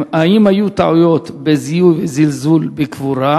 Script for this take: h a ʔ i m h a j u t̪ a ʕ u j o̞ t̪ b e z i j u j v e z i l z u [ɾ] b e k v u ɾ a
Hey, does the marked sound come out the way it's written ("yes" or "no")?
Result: no